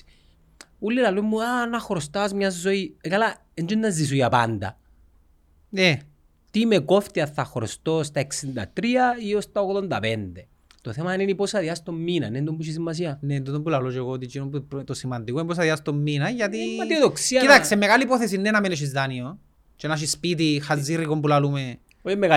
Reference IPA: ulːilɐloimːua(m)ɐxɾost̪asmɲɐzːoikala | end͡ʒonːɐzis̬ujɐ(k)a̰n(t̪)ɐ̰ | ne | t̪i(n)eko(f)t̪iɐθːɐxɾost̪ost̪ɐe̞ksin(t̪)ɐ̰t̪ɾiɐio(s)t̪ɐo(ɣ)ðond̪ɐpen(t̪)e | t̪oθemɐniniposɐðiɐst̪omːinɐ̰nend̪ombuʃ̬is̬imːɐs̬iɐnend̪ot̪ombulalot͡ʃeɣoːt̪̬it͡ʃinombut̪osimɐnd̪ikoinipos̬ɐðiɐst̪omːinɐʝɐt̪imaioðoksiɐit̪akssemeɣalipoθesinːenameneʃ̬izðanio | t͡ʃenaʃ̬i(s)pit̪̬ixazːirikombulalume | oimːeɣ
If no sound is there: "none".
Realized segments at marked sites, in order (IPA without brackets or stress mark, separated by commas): n, p, d̪, m, f, d̪, s, ɣ, d̪, s